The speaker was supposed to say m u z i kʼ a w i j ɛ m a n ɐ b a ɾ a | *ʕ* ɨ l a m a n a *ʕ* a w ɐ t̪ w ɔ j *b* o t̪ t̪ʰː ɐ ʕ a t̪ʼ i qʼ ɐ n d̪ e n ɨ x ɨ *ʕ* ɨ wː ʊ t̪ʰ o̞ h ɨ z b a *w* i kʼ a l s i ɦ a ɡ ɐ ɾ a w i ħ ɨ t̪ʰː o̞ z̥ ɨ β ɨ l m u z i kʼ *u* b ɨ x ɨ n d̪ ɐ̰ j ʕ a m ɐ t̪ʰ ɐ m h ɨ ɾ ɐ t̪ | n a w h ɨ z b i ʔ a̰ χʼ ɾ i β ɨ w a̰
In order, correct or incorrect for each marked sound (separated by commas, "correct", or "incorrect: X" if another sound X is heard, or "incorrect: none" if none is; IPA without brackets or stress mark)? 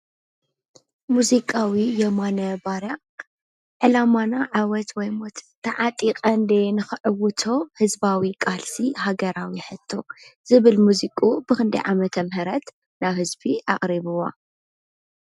correct, correct, incorrect: m, correct, correct, correct